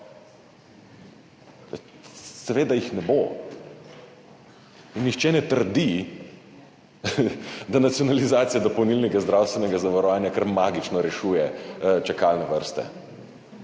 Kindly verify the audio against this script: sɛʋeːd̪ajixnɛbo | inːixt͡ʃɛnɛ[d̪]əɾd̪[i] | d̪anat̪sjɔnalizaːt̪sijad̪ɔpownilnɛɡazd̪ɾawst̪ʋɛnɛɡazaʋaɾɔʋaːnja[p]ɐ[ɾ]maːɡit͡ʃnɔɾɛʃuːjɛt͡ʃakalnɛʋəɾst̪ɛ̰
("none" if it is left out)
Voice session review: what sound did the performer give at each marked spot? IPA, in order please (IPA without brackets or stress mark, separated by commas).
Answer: t̪, i, k, ɾ